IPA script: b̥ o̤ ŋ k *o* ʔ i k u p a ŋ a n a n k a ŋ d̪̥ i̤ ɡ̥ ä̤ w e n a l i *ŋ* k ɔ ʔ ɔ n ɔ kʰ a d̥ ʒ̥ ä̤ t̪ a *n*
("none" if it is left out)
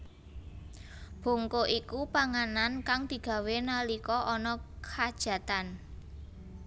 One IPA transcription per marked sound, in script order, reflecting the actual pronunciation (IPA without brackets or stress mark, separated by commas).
o, none, n